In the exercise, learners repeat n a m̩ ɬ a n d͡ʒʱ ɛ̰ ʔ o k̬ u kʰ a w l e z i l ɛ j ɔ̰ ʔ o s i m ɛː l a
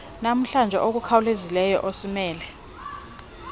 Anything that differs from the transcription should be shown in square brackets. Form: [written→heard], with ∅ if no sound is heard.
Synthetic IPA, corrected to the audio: n a m̩ ɬ a n d͡ʒʱ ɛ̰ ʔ o k̬ u kʰ a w l e z i l ɛ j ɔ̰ ʔ o s i m ɛː l [a→ɛ]